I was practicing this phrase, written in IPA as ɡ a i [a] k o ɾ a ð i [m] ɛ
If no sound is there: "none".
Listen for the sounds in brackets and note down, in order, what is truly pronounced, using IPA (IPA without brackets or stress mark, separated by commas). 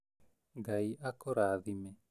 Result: a, m